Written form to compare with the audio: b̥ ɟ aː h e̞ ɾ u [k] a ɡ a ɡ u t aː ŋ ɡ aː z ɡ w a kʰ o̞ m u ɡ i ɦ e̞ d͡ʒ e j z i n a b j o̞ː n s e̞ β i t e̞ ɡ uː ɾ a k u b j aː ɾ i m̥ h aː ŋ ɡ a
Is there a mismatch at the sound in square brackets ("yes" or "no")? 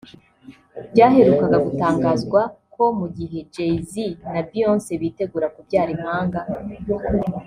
no